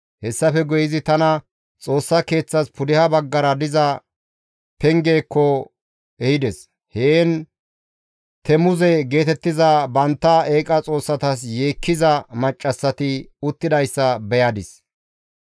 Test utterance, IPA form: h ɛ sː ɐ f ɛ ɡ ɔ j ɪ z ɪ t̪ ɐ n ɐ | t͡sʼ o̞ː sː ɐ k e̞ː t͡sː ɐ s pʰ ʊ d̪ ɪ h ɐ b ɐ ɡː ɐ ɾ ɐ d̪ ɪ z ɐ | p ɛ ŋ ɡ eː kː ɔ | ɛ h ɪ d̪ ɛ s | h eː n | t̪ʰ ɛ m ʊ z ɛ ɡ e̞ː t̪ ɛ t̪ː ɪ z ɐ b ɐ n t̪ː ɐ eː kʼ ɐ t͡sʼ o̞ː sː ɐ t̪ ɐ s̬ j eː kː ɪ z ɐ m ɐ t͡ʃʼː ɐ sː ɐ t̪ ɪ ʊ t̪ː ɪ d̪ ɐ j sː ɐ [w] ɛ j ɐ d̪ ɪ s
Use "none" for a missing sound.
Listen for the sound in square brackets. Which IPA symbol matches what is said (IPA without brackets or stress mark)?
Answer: b